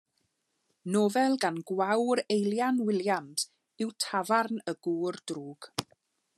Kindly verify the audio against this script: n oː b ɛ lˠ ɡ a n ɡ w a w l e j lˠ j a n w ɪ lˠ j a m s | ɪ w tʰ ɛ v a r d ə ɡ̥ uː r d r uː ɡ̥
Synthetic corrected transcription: n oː v ɛ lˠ ɡ a n ɡ w a w ɾ e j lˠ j a n w ɪ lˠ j a m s | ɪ w tʰ a v a r n ə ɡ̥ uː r d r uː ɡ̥

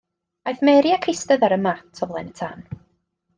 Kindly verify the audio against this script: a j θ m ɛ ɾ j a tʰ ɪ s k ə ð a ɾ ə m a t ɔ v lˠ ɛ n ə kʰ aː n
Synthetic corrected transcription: a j θ m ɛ ɾ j a kʰ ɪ s t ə ð a ɾ ə m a tʰ ɔ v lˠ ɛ n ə tʰ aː n

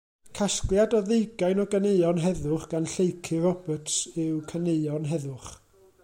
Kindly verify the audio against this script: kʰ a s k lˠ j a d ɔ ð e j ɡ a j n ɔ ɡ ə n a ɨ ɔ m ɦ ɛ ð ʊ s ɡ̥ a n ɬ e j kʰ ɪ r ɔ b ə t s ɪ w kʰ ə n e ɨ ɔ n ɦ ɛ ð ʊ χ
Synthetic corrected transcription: kʰ a s k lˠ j a d ɔ ð e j ɡ a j n ɔ ɡ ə n e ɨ ɔ n ɦ ɛ ð ʊ χ ɡ̥ a n ɬ e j kʰ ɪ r ɔ b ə t s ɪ w kʰ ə n e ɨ ɔ n ɦ ɛ ð ʊ χ

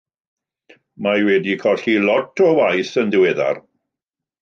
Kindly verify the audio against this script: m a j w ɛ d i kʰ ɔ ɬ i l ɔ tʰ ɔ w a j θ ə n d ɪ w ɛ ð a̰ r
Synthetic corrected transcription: m a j w ɛ d i kʰ ɔ ɬ i l ɔ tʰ ɔ w a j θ ə n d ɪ w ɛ ð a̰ r

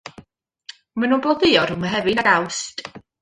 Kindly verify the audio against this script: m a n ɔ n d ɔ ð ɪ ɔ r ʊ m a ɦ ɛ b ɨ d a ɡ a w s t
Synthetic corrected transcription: m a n u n b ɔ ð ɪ ɔ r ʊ m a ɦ ɛ v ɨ n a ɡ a w s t

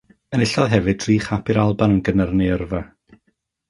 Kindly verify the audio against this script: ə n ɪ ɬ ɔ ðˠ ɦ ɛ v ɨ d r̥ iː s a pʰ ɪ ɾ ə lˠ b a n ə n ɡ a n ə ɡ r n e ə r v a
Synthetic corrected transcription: ə n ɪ ɬ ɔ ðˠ ɦ ɛ v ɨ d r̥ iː χ a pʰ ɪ ɾ a lˠ b a n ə n ɡ ə n ə r n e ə r v a

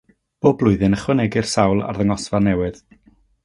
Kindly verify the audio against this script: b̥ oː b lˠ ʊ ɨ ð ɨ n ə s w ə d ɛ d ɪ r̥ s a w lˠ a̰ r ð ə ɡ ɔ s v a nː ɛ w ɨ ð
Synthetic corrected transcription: b̥ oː b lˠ ʊ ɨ ð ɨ n ə χ w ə n ɛ ɡ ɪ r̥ s a w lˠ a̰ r ð ə ŋ ɔ s v a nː ɛ w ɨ ð

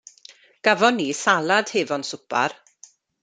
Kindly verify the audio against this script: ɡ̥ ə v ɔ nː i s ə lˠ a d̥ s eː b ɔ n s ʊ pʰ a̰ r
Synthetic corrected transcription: ɡ̥ a v ɔ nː i s a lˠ a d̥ h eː v ɔ n s ʊ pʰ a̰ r

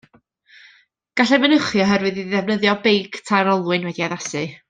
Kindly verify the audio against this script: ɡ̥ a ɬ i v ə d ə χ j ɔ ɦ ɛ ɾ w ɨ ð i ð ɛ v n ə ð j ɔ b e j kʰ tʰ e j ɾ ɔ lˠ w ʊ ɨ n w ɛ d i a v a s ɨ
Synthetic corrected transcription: ɡ̥ a ɬ ɛ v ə n ə χ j ɔ ɦ ɛ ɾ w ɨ ð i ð ɛ v n ə ð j ɔ b e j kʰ tʰ a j ɾ ɔ lˠ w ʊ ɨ n w ɛ d i a ð a s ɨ

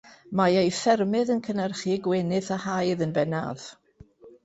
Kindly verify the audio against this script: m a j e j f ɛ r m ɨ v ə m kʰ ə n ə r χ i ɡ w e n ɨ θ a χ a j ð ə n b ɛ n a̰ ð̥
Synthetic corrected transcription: m a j e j f ɛ r m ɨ ð ə n kʰ ə n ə r χ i ɡ w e n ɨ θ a h a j ð ə n b ɛ n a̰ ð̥

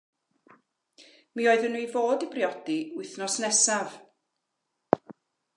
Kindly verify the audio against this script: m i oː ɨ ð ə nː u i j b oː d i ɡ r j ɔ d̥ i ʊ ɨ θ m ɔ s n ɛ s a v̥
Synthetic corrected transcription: m i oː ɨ ð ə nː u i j v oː d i b r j ɔ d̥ i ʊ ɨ θ n ɔ s n ɛ s a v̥

